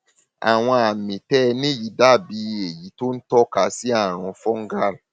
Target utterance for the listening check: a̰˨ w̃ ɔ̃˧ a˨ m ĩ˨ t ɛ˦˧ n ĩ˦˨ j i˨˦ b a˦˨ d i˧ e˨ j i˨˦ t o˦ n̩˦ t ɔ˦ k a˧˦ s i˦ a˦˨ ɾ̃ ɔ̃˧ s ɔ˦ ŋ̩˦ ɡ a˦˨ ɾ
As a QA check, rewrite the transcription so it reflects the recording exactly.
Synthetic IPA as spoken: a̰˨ w̃ ɔ̃˧ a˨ m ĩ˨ t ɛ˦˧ n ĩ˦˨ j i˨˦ d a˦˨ b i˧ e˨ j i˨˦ t o˦ n̩˦ t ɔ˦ k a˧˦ s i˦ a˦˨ ɾ̃ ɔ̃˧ f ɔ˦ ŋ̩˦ ɡ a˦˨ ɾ